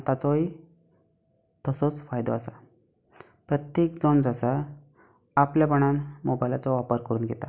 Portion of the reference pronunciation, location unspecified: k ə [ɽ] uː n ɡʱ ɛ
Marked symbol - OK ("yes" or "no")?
no